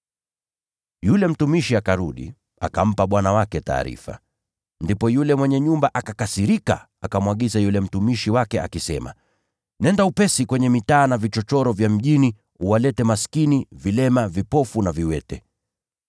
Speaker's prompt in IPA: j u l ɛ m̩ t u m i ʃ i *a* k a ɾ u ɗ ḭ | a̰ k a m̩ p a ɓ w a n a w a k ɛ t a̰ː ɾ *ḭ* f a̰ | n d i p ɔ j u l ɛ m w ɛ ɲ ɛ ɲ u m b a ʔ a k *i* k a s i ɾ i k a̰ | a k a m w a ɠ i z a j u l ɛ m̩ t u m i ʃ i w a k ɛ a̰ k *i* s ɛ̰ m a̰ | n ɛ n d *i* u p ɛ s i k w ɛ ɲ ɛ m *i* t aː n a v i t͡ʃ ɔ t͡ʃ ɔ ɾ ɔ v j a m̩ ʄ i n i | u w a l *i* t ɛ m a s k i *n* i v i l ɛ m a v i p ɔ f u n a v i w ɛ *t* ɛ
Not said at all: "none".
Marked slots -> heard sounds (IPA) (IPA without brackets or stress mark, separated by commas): a, ḭ, a, i, a, i, ɛ, n, t